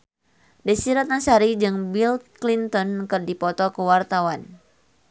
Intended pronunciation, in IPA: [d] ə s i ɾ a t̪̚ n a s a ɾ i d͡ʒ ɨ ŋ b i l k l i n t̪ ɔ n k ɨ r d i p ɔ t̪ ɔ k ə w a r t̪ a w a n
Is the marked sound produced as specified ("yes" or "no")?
yes